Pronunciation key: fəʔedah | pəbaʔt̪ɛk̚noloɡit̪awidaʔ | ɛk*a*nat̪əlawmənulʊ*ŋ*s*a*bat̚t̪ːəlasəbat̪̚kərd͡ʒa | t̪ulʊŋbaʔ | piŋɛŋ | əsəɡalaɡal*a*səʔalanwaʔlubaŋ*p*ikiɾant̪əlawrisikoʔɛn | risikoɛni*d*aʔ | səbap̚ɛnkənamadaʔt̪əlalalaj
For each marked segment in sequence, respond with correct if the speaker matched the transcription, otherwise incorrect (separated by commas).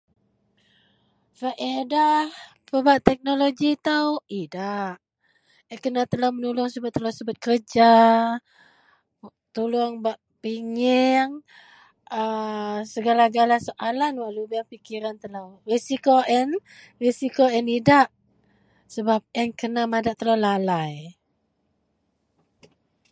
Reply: incorrect, correct, incorrect, correct, correct, correct